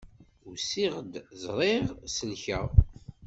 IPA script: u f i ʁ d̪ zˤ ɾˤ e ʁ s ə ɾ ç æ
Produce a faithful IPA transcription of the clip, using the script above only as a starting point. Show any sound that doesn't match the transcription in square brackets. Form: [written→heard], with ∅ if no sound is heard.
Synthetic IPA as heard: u [f→s] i ʁ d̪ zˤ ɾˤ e ʁ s ə [ɾ→l] ç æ